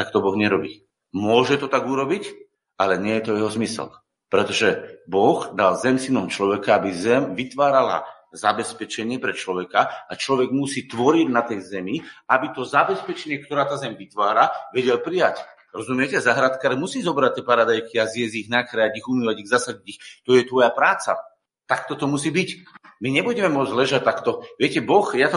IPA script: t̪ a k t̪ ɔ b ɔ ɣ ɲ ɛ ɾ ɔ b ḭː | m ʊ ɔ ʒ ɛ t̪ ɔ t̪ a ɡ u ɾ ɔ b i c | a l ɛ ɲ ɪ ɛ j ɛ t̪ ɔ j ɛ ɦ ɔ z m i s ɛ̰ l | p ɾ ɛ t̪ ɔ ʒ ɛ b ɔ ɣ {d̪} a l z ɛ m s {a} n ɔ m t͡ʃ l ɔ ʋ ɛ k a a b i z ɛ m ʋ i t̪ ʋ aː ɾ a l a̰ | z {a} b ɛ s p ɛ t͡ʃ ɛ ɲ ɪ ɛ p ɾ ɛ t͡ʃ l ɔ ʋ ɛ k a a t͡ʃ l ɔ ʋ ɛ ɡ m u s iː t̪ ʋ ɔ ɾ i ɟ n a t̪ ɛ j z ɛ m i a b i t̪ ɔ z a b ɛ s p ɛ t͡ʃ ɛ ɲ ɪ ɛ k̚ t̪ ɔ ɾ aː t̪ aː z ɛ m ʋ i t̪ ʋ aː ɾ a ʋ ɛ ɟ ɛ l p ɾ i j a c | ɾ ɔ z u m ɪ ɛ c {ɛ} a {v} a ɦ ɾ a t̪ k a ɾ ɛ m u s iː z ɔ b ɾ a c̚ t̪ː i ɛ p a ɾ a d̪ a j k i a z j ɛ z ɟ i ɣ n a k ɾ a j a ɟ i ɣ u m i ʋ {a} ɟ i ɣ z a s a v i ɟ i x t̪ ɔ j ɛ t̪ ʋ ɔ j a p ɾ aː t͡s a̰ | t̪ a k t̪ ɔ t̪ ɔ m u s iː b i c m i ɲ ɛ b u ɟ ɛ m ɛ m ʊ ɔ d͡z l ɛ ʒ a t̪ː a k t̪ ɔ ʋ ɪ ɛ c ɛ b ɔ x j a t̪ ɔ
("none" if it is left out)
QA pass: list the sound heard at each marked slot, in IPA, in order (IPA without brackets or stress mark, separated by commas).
d̪, i, a, ɛ, z, a